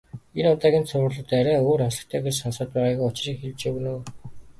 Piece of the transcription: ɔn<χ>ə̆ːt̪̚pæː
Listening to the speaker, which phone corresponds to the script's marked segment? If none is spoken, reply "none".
s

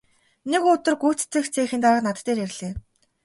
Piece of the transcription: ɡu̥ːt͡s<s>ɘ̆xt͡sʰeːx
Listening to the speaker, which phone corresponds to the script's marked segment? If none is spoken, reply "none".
t͡s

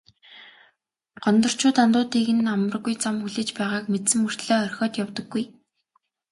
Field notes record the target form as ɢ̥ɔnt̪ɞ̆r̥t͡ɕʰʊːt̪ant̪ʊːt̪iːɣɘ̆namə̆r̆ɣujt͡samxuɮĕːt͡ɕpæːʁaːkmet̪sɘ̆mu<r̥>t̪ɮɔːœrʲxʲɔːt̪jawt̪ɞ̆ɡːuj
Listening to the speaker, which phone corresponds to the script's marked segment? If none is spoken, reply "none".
r̥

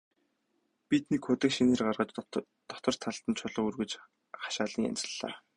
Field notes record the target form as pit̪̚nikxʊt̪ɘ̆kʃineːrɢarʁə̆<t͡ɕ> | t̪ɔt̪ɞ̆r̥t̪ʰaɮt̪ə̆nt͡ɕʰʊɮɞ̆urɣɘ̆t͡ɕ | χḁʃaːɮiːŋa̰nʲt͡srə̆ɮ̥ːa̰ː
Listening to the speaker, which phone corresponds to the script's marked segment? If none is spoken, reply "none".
t͡ɕ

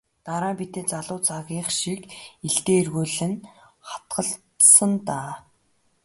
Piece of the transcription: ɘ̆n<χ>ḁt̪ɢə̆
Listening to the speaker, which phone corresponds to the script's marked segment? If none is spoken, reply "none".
χ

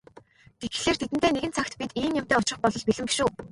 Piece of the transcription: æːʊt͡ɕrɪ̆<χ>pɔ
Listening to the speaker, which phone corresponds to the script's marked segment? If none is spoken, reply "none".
χ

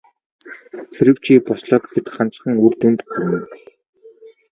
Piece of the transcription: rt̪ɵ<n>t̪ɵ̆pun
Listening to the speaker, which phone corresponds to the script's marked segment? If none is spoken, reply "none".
n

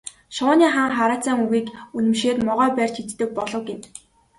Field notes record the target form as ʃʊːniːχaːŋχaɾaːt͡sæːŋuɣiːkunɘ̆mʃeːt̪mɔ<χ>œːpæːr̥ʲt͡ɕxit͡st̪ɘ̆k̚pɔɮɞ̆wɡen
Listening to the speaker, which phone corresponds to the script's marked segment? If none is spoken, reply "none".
ʁ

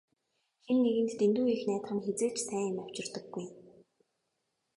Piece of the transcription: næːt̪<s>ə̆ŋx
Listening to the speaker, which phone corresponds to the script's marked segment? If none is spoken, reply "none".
χ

